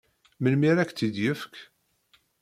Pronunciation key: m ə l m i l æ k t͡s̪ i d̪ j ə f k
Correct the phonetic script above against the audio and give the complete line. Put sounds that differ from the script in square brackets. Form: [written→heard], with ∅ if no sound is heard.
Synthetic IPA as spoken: m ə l m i [l→ɾ] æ k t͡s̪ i d̪ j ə f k